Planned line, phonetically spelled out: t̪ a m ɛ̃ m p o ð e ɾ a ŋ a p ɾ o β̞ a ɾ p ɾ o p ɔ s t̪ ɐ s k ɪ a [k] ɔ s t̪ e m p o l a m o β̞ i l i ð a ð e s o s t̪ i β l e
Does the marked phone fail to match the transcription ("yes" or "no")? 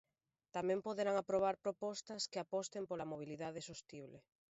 yes